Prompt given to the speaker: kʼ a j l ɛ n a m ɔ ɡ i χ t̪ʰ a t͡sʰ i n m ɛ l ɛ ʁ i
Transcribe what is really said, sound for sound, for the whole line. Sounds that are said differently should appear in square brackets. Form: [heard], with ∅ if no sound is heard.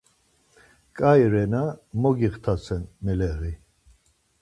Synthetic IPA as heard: kʼ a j [ɾ] ɛ n a m ɔ ɡ i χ t̪ʰ a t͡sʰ [ɛ] n m ɛ l ɛ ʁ i